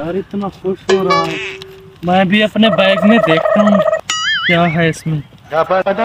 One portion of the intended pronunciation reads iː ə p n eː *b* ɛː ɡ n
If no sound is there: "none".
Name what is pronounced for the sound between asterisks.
b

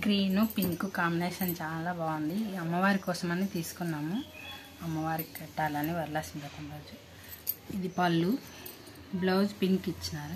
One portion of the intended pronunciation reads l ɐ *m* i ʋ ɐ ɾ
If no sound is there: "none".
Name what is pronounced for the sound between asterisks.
n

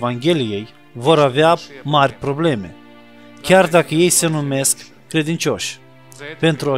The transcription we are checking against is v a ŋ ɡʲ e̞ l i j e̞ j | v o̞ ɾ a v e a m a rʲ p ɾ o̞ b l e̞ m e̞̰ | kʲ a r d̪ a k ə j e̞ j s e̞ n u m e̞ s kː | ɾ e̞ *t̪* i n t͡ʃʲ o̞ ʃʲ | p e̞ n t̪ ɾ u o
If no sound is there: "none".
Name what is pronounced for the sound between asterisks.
d̪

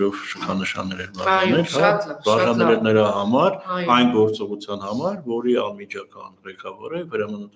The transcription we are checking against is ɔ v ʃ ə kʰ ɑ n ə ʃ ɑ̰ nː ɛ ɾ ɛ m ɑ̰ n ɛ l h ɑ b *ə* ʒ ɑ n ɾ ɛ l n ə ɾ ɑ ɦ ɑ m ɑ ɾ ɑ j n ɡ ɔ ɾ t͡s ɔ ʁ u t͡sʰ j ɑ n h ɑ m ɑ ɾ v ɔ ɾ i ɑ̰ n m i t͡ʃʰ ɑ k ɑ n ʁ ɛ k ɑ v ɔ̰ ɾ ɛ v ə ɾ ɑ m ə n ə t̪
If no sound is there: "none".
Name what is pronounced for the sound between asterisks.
ɑ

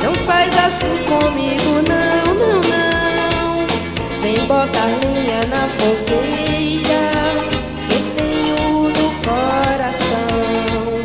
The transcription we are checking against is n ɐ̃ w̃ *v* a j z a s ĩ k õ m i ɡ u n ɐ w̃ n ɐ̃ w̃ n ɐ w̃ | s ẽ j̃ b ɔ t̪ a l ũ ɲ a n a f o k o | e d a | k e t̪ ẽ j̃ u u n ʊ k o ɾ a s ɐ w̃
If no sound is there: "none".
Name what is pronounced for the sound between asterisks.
f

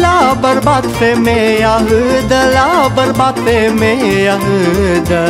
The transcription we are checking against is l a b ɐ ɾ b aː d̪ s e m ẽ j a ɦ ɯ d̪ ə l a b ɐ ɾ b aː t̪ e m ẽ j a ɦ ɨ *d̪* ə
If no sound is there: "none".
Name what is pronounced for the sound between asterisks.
d̪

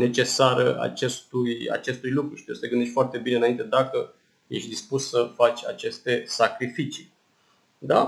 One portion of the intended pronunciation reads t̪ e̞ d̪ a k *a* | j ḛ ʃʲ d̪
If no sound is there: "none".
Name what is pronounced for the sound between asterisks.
ə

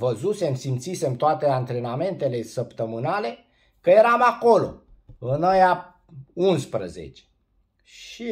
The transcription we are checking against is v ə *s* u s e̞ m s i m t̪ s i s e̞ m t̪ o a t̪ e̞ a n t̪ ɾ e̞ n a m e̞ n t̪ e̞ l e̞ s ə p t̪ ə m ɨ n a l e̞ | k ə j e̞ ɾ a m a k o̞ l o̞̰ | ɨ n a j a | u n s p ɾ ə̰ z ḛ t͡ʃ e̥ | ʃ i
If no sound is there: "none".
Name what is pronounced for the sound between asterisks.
z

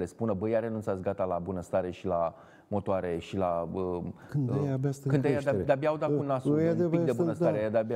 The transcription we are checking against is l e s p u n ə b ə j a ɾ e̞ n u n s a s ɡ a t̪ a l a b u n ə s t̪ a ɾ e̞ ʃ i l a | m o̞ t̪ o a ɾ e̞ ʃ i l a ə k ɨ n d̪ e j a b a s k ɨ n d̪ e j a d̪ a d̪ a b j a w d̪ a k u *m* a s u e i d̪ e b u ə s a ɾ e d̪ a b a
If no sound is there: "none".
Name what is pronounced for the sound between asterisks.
n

